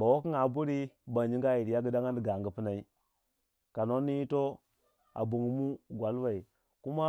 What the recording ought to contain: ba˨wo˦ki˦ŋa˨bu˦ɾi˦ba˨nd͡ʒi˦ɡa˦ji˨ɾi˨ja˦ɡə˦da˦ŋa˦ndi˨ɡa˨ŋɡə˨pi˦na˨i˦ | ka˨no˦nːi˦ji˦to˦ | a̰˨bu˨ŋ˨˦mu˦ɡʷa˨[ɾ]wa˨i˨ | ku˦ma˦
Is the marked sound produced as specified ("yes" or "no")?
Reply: no